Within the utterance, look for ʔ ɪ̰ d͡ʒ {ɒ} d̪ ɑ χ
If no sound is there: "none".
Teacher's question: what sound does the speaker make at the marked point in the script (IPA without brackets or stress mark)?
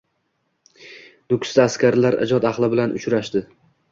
ɒ